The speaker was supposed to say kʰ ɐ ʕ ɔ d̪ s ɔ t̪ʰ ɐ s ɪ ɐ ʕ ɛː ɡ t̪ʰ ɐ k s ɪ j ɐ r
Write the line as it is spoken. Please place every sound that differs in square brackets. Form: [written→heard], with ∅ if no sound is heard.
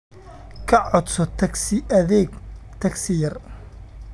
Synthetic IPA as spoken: kʰ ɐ ʕ ɔ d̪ s ɔ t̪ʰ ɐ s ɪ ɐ [ʕ→ð] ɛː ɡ t̪ʰ ɐ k s ɪ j ɐ r